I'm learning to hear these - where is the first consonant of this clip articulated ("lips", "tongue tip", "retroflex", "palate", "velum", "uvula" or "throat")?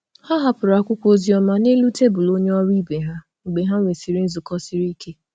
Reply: throat